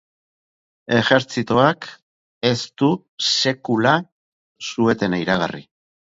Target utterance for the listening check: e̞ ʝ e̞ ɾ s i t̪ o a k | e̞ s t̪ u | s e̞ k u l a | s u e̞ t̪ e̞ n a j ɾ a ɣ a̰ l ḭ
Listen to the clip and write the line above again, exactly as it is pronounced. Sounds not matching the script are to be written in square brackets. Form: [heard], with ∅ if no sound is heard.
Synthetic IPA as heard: e̞ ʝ e̞ ɾ [t͡s] i t̪ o a k | e̞ s t̪ u | s e̞ k u l a | s u e̞ t̪ e̞ n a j ɾ a ɣ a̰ [r] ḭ

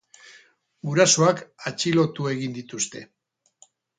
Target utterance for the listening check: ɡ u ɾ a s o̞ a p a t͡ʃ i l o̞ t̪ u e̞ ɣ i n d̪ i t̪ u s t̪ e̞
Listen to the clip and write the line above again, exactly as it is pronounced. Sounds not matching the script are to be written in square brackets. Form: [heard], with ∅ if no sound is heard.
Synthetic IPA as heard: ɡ u ɾ a s o̞ a [k] a t͡ʃ i l o̞ t̪ u e̞ ɣ i n d̪ i t̪ u s t̪ e̞

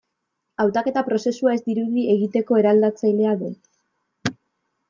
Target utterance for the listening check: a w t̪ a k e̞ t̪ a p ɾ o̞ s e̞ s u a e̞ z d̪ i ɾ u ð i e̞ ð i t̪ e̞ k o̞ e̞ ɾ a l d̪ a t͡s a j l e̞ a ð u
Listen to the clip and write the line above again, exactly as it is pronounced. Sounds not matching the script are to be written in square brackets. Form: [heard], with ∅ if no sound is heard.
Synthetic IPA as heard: a w t̪ a k e̞ t̪ a p ɾ o̞ s e̞ s u a e̞ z d̪ i ɾ u ð i e̞ [ɣ] i t̪ e̞ k o̞ e̞ ɾ a l d̪ a t͡s a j l e̞ a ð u

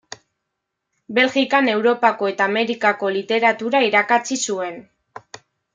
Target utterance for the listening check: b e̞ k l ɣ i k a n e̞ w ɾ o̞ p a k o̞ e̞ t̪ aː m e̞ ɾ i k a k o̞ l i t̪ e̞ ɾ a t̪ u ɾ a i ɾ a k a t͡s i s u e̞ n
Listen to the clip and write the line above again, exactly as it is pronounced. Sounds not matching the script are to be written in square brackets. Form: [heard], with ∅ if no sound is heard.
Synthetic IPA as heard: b e̞ [∅] l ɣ i k a n e̞ w ɾ o̞ p a k o̞ e̞ t̪ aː m e̞ ɾ i k a k o̞ l i t̪ e̞ ɾ a t̪ u ɾ a i ɾ a k a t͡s i s u e̞ n

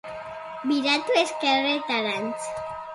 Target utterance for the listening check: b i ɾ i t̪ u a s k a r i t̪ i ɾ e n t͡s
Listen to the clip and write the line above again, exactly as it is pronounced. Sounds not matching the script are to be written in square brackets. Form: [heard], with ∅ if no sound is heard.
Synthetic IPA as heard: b i ɾ [a] t̪ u [e] s k [e] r [e] t̪ [a] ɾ [a] n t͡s

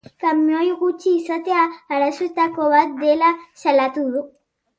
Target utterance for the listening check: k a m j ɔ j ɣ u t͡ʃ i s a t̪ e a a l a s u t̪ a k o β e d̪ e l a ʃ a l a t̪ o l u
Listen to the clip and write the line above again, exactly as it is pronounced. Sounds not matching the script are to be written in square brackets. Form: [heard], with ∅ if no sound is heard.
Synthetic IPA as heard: k a m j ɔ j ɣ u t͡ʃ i s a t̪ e a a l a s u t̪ a k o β [a] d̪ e l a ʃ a l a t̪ [u] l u

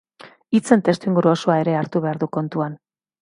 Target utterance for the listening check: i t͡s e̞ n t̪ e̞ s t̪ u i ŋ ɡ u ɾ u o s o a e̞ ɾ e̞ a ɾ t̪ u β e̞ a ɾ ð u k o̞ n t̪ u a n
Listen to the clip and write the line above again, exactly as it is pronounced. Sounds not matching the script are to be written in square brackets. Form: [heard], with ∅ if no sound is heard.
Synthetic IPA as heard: i t͡s e̞ n t̪ e̞ s t̪ u i ŋ ɡ u ɾ u o s o a e̞ ɾ e̞ a ɾ t̪ u β e̞ a ɾ ð u k o̞ n t̪ u a n

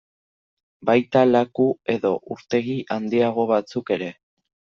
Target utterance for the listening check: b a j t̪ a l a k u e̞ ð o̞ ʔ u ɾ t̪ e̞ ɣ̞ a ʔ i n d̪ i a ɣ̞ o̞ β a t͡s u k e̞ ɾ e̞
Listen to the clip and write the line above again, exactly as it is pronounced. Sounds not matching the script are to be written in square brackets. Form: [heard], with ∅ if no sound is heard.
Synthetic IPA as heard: b a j t̪ a l a k u e̞ ð o̞ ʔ u ɾ t̪ e̞ ɣ̞ [i] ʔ [a] n d̪ i a ɣ̞ o̞ β a t͡s u k e̞ ɾ e̞

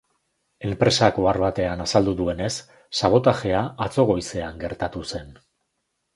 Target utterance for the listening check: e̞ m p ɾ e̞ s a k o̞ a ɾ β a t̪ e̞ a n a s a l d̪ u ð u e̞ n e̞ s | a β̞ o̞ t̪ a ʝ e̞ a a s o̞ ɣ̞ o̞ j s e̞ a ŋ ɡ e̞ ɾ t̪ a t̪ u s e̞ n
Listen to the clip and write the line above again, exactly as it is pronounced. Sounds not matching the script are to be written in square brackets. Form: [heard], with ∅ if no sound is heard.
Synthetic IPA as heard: e̞ m p ɾ e̞ s a k o̞ a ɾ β a t̪ e̞ a n a s a l d̪ u ð u e̞ n e̞ [sː] | a β̞ o̞ t̪ a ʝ e̞ a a [t͡s] o̞ ɣ̞ o̞ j s e̞ a ŋ ɡ e̞ ɾ t̪ a t̪ u s e̞ n

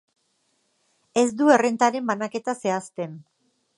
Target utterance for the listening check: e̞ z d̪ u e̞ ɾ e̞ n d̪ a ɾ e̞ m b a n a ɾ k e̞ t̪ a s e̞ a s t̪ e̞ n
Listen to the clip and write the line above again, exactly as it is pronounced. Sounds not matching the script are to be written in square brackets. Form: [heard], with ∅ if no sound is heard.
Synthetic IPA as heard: e̞ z d̪ u e̞ [r] e̞ n [t̪] a ɾ e̞ m b a n a [∅] k e̞ t̪ a s e̞ a s t̪ e̞ n

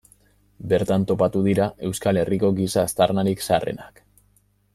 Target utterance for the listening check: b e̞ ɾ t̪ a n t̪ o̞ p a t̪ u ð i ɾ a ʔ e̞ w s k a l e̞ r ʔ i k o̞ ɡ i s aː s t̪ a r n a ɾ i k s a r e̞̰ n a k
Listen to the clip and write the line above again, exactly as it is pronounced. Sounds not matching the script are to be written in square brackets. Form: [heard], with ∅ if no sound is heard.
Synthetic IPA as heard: b e̞ ɾ t̪ a n t̪ o̞ p a t̪ u ð i ɾ a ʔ e̞ w s k a l e̞ r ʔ i k o̞ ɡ i s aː s t̪ a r n a ɾ i k s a r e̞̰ n a k

